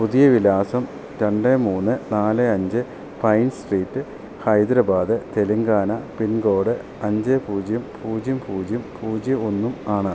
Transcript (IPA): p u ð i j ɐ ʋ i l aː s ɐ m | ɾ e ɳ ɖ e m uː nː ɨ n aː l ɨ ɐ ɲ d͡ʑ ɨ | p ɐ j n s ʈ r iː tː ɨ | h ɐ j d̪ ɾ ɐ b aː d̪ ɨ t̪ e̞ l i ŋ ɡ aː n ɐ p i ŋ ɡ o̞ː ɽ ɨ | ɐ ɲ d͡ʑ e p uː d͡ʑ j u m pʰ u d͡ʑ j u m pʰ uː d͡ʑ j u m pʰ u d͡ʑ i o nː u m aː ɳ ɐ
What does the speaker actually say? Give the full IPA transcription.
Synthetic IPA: p u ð i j ɐ ʋ i l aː s ɐ m | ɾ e ɳ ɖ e m uː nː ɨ n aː l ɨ ɐ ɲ d͡ʑ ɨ | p ɐ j n s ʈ r iː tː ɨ | h ɐ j d̪ ɾ ɐ b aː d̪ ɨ t̪ e̞ l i ŋ ɡ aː n ɐ p i n ɡ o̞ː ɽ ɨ | ɐ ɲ d͡ʑ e p uː d͡ʑ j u m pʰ uː d͡ʑ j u m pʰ uː d͡ʑ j u m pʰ uː d͡ʑ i o nː u m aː ɳ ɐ

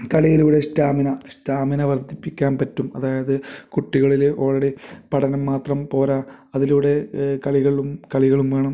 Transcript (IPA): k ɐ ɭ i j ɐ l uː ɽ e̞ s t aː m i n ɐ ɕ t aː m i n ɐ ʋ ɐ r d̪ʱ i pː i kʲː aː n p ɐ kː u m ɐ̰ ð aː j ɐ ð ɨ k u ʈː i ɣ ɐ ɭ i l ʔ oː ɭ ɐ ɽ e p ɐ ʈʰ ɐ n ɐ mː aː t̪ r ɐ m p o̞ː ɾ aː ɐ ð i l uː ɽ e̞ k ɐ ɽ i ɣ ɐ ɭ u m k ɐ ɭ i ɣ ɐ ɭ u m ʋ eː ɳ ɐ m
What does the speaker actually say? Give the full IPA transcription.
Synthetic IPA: k ɐ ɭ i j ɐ l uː ɽ e̞ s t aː m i n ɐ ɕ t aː m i n ɐ ʋ ɐ r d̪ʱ i pː i kʲː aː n p ɐ tː u m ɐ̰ ð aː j ɐ ð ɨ k u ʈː i ɣ ɐ ɭ i l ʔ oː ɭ ɐ ɽ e p ɐ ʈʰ ɐ n ɐ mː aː t̪ r ɐ m p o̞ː ɾ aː ɐ ð i l uː ɽ e̞ k ɐ ɭ i ɣ ɐ ɭ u m k ɐ ɭ i ɣ ɐ ɭ u m ʋ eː ɳ ɐ m

